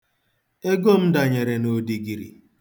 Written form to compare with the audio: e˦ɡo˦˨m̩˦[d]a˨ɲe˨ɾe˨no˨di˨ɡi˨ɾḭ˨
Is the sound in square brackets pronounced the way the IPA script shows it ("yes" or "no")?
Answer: yes